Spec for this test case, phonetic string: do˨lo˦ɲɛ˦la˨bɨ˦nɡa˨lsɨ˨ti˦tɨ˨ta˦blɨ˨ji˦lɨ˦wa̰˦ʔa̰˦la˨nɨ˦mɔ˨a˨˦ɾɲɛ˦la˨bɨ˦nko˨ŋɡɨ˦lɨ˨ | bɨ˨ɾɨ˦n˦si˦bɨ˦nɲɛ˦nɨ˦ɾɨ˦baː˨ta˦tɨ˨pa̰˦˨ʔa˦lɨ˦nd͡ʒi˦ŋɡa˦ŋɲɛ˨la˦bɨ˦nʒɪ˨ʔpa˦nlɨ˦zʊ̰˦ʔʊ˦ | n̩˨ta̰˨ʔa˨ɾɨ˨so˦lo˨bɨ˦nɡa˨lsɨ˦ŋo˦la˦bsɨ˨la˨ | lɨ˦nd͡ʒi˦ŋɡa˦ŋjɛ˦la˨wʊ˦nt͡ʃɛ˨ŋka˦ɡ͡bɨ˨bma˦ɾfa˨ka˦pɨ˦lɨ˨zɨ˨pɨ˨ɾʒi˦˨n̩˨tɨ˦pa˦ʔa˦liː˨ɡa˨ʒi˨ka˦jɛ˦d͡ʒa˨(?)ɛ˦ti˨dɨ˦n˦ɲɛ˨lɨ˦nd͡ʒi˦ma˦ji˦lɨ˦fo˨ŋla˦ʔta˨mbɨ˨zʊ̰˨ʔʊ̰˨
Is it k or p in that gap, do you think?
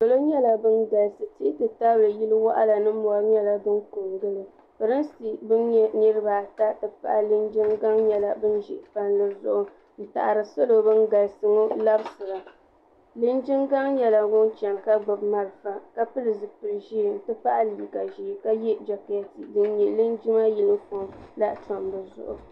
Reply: k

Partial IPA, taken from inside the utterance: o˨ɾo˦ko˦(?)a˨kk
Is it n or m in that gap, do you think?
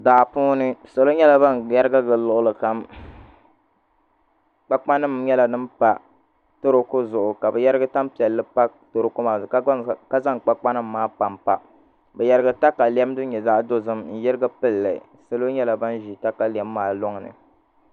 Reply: m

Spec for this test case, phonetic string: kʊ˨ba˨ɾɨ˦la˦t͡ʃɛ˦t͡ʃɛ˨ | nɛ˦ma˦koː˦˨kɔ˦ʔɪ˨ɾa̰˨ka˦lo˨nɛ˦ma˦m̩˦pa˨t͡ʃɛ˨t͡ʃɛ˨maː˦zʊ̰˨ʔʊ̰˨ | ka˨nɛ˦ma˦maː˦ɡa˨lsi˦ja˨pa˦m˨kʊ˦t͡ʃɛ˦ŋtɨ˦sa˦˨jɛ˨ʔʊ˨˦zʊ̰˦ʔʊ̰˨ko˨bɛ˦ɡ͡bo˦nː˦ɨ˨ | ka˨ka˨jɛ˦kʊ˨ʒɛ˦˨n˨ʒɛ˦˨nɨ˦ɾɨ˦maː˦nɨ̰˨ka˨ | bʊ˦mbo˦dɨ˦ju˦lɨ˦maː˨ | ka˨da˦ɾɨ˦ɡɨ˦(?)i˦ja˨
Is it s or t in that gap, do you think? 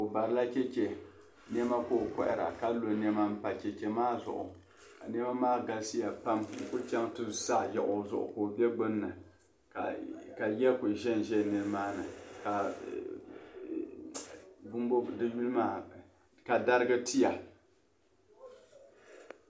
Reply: t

